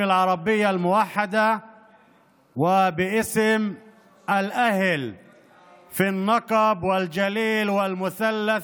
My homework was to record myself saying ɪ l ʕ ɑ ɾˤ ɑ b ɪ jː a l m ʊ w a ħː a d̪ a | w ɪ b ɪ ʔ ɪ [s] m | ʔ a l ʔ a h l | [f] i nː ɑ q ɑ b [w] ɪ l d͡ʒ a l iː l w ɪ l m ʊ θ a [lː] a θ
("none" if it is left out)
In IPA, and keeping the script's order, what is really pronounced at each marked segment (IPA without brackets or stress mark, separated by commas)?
s, f, w, lː